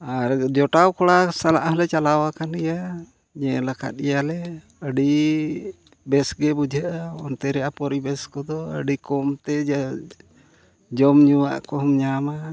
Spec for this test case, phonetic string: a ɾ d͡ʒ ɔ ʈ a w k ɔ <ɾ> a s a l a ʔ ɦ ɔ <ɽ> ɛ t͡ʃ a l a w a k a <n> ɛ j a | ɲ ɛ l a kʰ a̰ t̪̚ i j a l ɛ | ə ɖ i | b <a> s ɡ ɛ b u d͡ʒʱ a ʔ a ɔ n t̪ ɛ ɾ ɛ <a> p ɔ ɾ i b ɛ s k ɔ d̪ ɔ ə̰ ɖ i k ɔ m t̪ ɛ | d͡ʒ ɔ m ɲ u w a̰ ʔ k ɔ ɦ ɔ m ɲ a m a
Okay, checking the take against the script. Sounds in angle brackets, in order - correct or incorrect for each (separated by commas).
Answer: incorrect, incorrect, correct, incorrect, correct